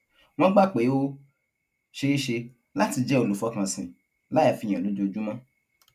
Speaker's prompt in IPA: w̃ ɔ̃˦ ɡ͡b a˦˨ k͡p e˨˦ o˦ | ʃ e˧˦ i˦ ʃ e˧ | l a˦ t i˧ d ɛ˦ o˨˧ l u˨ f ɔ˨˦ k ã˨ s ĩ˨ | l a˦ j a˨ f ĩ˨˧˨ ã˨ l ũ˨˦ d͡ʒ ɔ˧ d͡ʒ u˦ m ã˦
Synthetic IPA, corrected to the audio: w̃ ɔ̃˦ ɡ͡b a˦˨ k͡p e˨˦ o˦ | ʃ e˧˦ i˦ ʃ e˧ | l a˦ t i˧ d͡ʒ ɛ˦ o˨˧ l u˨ f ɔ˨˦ k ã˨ s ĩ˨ | l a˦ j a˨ f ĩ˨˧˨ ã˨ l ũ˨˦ d͡ʒ o˧ d͡ʒ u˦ m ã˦